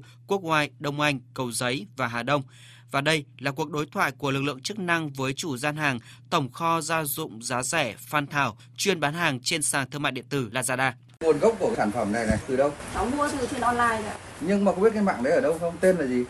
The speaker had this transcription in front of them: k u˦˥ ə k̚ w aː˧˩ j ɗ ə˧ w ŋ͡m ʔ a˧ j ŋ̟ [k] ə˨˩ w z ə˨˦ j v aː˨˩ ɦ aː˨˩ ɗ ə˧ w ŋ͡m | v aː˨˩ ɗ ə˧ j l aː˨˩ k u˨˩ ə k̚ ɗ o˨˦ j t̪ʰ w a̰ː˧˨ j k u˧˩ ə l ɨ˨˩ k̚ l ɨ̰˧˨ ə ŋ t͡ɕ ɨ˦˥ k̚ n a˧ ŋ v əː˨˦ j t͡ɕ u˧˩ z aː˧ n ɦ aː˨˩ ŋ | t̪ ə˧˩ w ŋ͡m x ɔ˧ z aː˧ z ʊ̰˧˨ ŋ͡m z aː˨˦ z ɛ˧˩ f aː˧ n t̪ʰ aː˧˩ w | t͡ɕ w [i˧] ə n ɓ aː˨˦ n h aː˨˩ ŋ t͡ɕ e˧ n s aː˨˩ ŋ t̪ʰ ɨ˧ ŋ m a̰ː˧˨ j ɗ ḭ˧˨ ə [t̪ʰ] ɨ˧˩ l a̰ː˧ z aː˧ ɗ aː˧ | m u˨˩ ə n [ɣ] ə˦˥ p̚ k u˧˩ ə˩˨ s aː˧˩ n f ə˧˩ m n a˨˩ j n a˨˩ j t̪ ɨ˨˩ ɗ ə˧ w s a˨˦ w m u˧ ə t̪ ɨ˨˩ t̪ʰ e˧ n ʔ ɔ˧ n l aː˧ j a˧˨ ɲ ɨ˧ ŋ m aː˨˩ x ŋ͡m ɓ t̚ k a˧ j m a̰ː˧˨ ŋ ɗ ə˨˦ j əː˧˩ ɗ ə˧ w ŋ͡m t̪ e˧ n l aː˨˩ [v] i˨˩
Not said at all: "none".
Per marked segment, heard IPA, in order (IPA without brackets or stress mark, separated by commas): k, i˧, t̪, ɣ, z